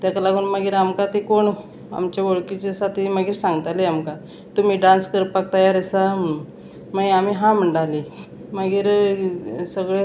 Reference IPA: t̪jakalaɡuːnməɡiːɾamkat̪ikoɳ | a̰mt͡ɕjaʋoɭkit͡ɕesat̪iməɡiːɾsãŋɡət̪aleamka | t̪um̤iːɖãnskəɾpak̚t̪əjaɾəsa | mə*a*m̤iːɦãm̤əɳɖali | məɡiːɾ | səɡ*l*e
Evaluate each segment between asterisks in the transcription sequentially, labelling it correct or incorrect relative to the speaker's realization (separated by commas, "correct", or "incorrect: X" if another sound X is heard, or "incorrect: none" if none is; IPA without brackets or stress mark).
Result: correct, incorrect: ɭ